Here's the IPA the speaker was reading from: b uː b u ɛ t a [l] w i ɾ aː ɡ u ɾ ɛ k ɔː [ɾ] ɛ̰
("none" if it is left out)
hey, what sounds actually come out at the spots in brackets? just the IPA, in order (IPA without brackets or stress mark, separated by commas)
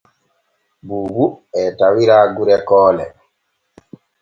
none, l